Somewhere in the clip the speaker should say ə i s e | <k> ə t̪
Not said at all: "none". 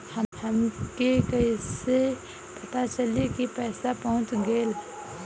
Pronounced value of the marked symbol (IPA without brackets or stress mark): p